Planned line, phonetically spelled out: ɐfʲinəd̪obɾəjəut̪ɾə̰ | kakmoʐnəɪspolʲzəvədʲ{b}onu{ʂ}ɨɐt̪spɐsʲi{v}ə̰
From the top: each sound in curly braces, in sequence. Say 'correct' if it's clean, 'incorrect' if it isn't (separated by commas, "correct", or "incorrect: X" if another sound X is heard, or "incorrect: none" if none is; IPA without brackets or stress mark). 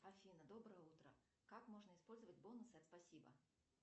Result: correct, incorrect: s, incorrect: b